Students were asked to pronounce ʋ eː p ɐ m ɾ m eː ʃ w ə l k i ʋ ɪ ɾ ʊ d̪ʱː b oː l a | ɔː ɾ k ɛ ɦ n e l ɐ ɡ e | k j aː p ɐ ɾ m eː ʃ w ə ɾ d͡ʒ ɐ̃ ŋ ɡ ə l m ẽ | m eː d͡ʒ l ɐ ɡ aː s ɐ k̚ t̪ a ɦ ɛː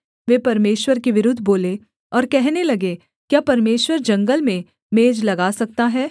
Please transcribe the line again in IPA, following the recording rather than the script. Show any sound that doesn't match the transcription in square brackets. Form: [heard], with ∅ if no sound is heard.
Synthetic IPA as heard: ʋ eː p ɐ [∅] ɾ m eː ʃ w ə [ɾ] k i ʋ ɪ ɾ ʊ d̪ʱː b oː l [e] | ɔː ɾ k ɛ ɦ n e l ɐ ɡ e | k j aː p ɐ ɾ m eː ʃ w ə ɾ d͡ʒ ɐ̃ ŋ ɡ ə l m ẽ | m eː d͡ʒ l ɐ ɡ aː s ɐ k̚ t̪ a ɦ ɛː